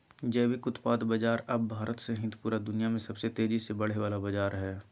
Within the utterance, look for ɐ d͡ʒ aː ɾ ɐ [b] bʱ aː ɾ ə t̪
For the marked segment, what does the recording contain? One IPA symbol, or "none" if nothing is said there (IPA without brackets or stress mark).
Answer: b